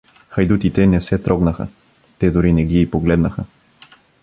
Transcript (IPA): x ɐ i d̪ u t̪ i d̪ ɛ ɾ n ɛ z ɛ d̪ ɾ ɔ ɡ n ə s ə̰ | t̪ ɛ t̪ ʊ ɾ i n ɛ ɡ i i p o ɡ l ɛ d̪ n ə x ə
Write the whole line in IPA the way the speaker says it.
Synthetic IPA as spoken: x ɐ j d̪ u t̪ i t̪ ɛ n ɛ s ɛ t̪ ɾ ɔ ɡ n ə x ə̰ | t̪ ɛ d̪ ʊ ɾ i n ɛ ɡ i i p o ɡ l ɛ d̪ n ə x ə